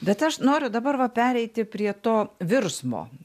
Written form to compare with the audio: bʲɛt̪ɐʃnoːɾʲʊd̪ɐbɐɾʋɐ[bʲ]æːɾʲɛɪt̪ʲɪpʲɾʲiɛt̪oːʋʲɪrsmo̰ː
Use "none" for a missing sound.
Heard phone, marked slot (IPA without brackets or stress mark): pʲ